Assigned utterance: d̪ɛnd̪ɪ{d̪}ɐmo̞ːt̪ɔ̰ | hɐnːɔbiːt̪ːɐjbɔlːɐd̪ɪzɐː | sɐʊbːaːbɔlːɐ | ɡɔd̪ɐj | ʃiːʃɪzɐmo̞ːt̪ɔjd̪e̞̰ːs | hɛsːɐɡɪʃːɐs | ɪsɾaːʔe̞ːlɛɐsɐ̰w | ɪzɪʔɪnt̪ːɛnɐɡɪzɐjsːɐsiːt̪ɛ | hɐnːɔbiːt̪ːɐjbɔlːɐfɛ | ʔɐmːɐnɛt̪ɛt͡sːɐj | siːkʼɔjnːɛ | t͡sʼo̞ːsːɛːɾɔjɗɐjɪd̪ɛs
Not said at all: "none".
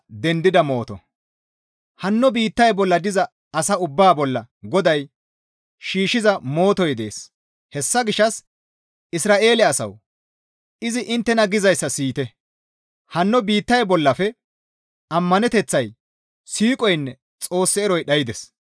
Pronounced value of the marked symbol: d̪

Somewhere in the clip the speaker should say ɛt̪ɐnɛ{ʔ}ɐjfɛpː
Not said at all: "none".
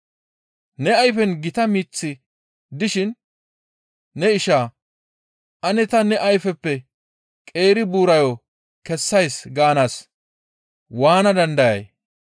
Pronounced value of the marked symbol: ʔ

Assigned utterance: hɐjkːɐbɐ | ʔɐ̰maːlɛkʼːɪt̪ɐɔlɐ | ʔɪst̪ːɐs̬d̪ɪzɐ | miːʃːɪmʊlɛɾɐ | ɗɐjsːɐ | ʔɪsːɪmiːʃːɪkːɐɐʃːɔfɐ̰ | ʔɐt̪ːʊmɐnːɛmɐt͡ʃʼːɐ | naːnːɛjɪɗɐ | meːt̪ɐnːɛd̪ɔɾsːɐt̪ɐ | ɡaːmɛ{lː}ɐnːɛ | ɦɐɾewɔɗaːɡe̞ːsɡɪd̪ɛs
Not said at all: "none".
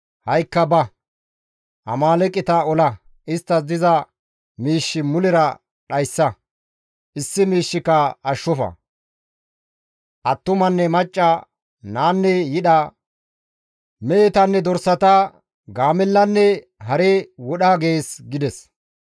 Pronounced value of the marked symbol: lː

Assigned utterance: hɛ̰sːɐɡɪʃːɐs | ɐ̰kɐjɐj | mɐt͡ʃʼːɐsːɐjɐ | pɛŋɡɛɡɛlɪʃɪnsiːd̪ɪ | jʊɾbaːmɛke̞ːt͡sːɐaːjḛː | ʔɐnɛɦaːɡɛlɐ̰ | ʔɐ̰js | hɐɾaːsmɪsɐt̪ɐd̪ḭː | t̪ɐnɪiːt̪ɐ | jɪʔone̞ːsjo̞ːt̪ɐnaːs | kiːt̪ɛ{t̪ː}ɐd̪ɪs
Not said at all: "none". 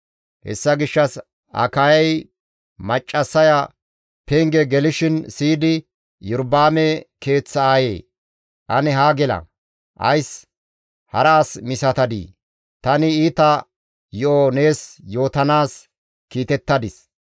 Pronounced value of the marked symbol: t̪ː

